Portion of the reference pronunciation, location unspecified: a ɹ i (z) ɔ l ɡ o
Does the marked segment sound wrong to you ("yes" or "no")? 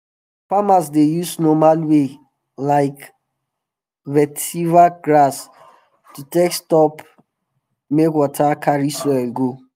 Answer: yes